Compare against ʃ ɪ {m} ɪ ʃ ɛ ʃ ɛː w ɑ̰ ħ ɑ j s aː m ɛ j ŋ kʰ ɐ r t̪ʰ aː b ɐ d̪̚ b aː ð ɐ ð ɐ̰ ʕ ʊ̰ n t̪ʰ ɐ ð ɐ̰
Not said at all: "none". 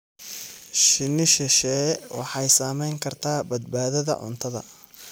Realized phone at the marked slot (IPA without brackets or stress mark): n